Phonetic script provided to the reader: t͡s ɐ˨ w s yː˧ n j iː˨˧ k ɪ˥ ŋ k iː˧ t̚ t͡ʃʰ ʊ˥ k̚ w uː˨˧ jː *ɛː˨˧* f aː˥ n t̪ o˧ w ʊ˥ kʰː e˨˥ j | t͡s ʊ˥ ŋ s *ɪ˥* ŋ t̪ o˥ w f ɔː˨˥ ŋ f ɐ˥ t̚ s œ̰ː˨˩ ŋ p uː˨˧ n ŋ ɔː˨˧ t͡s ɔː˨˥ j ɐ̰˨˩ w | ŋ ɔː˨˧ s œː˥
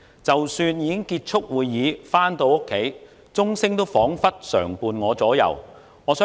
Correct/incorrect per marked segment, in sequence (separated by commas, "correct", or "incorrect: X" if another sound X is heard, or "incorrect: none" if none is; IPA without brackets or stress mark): incorrect: iː˨˧, correct